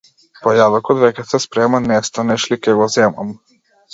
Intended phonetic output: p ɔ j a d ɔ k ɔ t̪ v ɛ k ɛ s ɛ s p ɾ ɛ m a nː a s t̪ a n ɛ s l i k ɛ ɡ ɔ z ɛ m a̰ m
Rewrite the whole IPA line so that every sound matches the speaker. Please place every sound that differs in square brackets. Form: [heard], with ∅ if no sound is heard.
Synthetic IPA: p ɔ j a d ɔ k ɔ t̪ v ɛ k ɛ s ɛ s p ɾ ɛ m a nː [ɛ] s t̪ a n ɛ [ʃ] l i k ɛ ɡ ɔ z ɛ m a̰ m